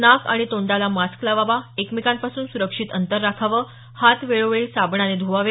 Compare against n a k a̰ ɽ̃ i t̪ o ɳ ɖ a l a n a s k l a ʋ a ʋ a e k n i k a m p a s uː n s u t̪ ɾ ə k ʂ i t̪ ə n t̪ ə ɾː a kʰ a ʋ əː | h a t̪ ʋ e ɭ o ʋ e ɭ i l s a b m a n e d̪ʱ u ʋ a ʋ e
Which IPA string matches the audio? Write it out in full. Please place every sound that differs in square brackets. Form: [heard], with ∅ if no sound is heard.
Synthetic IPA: n a k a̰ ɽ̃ i t̪ o ɳ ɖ a l a [m] a s k l a ʋ a ʋ a e k [m] i k a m p a s uː n s u [∅] ɾ ə k ʂ i t̪ ə n t̪ ə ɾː a kʰ a ʋ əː | h a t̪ ʋ e ɭ o ʋ e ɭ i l s a b [ɳ] a n e d̪ʱ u ʋ a ʋ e